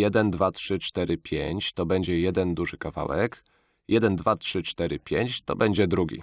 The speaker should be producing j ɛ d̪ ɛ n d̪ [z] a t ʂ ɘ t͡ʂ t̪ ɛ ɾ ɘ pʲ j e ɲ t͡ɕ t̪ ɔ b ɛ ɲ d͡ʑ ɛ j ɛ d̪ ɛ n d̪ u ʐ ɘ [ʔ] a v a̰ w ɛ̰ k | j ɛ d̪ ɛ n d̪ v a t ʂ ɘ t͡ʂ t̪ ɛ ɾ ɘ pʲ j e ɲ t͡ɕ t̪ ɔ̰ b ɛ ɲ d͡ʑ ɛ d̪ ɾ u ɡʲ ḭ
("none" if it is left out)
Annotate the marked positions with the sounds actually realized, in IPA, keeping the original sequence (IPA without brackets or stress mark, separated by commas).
v, k